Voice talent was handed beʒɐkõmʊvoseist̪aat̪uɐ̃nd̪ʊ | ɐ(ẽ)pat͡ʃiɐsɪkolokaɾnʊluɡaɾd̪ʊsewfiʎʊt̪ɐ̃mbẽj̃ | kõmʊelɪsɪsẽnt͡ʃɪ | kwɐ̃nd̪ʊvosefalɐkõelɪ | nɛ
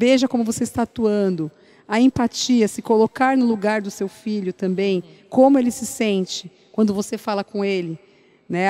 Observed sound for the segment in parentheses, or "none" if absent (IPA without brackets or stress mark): ẽ